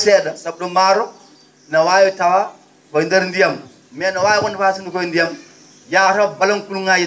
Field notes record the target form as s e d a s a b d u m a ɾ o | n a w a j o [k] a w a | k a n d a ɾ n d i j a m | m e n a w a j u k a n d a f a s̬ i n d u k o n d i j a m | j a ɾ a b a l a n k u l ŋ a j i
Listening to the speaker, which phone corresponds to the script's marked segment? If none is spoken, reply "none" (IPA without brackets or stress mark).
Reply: t